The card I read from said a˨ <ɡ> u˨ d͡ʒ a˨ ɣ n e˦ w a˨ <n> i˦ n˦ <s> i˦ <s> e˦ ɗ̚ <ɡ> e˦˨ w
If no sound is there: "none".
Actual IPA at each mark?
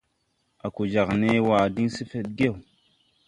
k, d, s, f, ɡ

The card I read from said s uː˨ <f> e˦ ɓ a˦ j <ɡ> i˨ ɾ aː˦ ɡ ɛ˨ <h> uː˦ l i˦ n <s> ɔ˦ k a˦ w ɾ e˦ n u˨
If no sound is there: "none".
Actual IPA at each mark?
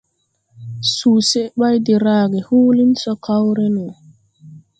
s, d, h, s

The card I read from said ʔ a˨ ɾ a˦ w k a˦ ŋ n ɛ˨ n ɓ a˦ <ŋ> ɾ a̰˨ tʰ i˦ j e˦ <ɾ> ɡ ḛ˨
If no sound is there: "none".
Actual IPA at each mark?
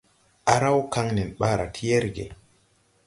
none, ɾ

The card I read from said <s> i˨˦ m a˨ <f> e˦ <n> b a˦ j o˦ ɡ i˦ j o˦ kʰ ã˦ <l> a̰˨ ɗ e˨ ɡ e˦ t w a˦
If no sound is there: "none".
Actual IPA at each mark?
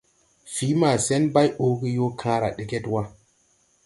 f, s, n, ɾ

